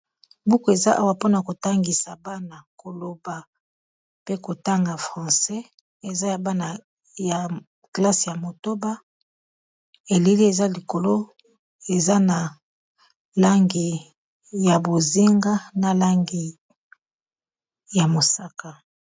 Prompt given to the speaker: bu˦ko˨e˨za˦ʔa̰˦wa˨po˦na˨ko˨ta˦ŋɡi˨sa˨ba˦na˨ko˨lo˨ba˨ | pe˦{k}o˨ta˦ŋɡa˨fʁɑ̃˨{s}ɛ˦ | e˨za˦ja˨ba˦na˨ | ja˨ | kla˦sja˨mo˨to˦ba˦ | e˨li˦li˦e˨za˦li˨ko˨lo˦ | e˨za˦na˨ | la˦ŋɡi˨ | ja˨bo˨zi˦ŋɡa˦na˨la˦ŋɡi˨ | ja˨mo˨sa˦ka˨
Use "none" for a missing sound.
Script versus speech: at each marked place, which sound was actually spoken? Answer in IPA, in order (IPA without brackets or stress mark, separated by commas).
k, s